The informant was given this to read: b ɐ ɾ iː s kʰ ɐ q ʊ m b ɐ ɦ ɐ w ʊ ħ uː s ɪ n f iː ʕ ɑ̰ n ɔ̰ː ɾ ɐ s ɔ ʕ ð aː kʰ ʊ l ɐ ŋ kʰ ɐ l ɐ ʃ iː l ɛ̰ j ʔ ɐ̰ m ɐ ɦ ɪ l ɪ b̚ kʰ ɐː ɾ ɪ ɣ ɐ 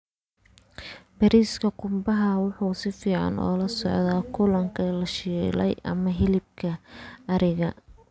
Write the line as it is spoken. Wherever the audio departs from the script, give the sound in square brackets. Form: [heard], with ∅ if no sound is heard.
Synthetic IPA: b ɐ ɾ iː s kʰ ɐ q ʊ m b ɐ ɦ ɐ w ʊ ħ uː s ɪ [∅] f iː ʕ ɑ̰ n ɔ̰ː [l] ɐ s ɔ ʕ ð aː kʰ ʊ l ɐ ŋ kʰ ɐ l ɐ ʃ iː l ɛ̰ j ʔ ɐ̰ m ɐ ɦ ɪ l ɪ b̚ kʰ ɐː ɾ ɪ ɣ ɐ